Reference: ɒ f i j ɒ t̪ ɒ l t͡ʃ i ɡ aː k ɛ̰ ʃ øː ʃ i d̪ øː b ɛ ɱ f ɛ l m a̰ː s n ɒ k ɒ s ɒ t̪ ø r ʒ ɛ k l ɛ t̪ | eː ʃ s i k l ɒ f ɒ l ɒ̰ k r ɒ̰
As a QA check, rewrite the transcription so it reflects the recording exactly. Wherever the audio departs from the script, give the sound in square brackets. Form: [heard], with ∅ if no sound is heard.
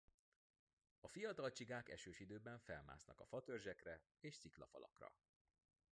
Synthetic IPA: ɒ f i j ɒ t̪ ɒ l t͡ʃ i ɡ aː k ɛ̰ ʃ øː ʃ i d̪ øː b ɛ ɱ f ɛ l m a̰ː s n ɒ k ɒ [f] ɒ t̪ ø r ʒ ɛ k [r] ɛ [∅] | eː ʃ s i k l ɒ f ɒ l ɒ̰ k r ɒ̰